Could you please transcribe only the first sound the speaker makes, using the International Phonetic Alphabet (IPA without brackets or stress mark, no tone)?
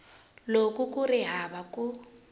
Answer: l